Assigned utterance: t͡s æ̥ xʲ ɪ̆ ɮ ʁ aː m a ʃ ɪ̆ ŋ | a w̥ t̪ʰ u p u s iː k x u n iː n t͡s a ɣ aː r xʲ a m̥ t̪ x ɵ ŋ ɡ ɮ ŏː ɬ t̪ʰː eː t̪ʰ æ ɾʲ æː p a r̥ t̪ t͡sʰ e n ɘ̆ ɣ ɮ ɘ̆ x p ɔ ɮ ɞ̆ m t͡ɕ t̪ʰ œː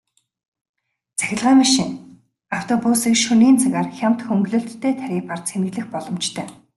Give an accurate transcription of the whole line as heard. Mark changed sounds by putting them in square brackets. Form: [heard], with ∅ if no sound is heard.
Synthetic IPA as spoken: t͡s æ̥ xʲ ɪ̆ ɮ ʁ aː m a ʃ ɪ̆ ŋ | a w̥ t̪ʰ [ɔ] p u s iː k [ʃ] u n iː n t͡s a ɣ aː r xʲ a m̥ t̪ x ɵ ŋ ɡ ɮ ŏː ɬ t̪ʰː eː t̪ʰ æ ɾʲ [iː] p a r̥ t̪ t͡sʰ e n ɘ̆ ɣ ɮ ɘ̆ x p ɔ ɮ ɞ̆ m t͡ɕ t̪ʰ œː